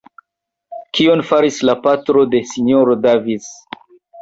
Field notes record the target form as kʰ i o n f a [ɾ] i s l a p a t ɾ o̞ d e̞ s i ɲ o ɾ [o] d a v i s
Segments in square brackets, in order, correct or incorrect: correct, correct

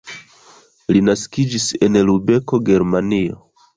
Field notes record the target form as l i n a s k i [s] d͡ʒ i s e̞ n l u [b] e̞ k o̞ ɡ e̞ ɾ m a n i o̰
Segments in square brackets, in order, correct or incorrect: incorrect: none, correct

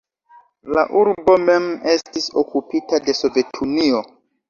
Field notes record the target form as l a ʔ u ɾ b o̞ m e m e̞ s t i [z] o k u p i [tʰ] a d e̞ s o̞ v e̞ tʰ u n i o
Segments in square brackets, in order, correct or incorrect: incorrect: s, incorrect: t

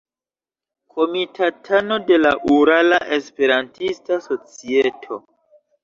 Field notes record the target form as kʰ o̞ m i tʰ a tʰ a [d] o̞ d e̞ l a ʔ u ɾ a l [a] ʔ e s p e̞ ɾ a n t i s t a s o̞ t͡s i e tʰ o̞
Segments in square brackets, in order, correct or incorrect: incorrect: n, correct

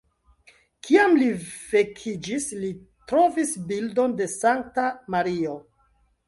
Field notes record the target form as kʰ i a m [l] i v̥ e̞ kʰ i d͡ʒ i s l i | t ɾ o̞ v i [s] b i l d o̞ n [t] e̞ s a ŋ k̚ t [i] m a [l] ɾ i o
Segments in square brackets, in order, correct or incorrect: correct, correct, incorrect: d, incorrect: a, incorrect: none

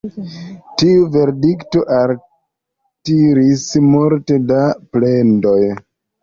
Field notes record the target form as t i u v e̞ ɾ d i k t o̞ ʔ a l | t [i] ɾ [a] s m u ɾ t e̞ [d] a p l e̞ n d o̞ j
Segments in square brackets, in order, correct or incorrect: correct, incorrect: i, correct

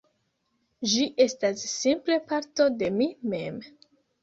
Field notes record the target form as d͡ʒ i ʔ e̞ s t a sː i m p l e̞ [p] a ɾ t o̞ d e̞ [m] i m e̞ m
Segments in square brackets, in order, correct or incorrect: correct, correct

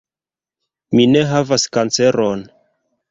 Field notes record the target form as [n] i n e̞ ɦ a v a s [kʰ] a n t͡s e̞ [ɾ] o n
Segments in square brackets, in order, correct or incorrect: incorrect: m, incorrect: k, correct

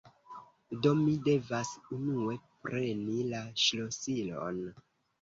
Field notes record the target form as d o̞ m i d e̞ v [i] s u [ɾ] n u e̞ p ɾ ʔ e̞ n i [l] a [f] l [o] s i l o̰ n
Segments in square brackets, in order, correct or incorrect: incorrect: a, incorrect: none, correct, incorrect: ʃ, correct

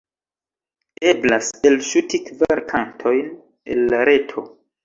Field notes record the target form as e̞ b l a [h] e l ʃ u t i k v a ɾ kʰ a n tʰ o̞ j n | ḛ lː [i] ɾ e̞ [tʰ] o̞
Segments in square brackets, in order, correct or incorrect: incorrect: s, incorrect: a, correct

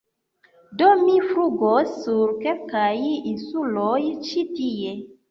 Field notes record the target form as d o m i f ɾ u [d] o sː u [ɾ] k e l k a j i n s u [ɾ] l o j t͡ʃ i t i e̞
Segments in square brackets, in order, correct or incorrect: incorrect: ɡ, correct, incorrect: none

